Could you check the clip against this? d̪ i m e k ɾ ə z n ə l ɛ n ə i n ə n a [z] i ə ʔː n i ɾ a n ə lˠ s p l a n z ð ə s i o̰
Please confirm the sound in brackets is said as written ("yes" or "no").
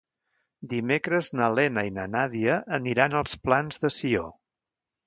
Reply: no